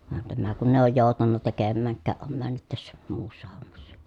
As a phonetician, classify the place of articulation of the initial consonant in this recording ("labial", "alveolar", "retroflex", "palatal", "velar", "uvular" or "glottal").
labial